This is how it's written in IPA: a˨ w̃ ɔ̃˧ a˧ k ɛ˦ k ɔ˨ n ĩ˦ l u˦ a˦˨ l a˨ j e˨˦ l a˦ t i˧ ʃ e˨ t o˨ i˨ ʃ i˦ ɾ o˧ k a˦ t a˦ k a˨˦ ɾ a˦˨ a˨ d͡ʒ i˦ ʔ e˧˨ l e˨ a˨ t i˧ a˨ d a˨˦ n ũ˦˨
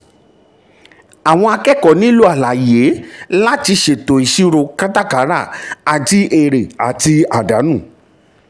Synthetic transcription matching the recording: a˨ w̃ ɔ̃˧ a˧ k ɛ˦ k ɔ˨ n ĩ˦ l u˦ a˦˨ l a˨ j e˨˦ l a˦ t i˧ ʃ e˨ t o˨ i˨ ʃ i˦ ɾ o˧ k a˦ t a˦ k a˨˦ ɾ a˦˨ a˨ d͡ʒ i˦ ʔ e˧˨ ɾ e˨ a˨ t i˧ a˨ d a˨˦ n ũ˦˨